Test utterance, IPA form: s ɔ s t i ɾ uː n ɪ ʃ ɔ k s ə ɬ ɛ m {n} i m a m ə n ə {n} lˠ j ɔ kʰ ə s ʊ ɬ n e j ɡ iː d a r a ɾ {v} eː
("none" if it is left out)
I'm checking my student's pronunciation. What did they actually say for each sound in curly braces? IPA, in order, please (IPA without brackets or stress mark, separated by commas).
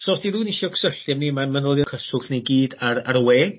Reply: n, none, w